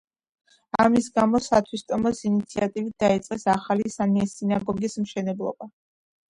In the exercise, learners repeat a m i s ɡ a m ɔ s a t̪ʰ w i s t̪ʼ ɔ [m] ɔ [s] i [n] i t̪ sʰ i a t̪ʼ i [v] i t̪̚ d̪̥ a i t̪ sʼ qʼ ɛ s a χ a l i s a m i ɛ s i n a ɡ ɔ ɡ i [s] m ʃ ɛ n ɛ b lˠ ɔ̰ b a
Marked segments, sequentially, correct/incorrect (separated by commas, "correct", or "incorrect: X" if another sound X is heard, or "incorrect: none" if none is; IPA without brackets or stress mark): correct, correct, correct, correct, correct